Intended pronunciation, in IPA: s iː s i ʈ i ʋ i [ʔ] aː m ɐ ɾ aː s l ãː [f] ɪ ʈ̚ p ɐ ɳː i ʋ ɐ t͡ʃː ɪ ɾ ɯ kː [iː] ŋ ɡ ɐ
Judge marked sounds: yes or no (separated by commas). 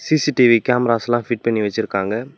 no, yes, no